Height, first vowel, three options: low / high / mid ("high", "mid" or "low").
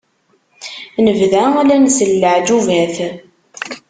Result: mid